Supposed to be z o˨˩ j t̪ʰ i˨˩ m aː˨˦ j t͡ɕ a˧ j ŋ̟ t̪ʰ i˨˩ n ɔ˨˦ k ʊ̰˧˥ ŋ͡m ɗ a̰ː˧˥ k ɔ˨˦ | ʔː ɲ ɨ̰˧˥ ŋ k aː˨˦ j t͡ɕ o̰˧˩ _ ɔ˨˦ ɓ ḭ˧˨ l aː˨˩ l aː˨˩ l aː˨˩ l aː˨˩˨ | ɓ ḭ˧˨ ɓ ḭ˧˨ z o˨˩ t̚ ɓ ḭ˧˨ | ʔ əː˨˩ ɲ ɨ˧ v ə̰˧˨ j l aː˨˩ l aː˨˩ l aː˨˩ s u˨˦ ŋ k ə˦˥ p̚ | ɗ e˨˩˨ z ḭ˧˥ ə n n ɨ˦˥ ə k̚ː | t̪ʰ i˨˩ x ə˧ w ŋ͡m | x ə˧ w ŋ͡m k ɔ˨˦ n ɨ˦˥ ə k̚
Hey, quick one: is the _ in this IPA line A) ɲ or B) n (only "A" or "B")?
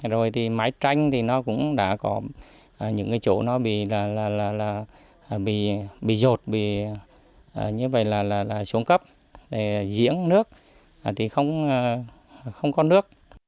B